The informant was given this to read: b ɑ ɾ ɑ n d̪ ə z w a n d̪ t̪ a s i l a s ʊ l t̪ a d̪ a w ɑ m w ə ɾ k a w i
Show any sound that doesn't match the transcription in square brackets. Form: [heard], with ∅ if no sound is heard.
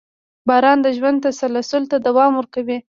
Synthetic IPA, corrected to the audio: b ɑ ɾ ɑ n d̪ ə [ʒ] w a n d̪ t̪ a s [a] l a s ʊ l t̪ a d̪ a w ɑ m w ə ɾ k a w i